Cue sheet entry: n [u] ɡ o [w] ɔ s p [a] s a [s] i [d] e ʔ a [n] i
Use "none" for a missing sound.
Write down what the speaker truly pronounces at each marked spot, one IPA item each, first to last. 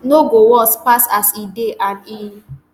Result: o, w, a, s, d, n

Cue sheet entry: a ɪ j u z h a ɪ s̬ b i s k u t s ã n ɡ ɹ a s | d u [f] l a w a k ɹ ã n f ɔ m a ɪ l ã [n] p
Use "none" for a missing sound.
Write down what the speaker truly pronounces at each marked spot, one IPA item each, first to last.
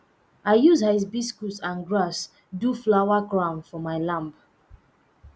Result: f, m

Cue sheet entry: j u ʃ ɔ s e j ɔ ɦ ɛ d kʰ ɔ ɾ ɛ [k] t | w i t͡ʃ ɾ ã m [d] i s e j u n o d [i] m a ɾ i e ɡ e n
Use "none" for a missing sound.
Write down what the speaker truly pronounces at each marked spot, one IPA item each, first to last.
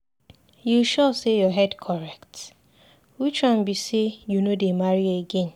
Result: k, b, e

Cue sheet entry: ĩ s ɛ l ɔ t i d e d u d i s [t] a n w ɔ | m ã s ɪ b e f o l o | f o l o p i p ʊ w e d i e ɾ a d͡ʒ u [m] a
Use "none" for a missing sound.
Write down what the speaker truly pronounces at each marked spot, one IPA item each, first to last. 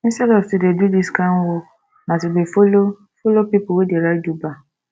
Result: k, b

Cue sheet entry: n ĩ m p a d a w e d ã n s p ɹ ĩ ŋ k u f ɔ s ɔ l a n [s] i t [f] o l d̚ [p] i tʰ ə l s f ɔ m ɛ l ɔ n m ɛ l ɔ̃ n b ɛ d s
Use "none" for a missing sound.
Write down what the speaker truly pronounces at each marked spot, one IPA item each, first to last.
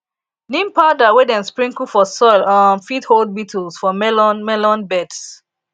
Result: f, h, b

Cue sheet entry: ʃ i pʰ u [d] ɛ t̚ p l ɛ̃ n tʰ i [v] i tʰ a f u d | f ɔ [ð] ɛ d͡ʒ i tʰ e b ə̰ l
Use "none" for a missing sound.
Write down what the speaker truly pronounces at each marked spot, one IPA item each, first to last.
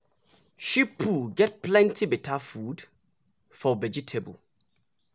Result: ɡ, b, v

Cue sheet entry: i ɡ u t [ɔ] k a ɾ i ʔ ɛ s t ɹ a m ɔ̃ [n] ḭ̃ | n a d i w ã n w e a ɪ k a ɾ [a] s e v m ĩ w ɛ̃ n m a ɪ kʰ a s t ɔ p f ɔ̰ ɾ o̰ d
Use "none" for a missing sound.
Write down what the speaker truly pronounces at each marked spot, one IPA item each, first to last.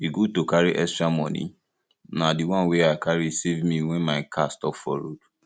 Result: o, n, i

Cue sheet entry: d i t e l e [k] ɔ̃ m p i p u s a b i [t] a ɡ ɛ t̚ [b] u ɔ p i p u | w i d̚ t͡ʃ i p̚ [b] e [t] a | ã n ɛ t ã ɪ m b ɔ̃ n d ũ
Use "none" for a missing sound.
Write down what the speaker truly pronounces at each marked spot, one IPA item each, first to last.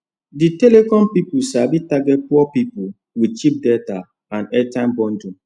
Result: k, t, p, d, t

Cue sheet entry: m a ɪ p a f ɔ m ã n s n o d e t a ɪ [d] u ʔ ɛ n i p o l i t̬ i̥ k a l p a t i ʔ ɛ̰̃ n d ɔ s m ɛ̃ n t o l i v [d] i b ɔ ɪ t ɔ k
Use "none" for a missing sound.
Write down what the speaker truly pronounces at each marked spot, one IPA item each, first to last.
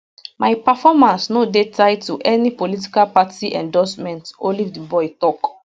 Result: t, d

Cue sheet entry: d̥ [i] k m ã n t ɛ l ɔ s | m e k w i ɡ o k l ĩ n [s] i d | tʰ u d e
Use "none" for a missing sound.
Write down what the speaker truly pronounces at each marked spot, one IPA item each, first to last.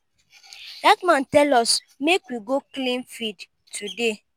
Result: a, f

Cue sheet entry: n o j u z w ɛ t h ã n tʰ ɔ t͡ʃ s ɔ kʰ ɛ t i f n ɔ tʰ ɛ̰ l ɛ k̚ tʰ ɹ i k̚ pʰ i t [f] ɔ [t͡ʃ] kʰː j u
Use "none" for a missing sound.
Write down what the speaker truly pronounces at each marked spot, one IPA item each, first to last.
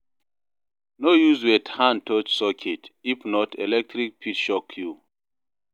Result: ʃ, none

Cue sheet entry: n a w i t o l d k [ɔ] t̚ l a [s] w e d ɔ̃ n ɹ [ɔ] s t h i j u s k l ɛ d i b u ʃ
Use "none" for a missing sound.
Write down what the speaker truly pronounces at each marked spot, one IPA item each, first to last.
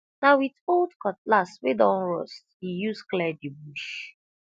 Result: ɔ, s, ɔ

